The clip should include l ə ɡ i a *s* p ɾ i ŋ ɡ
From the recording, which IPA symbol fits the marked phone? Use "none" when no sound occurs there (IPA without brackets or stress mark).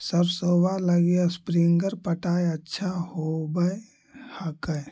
s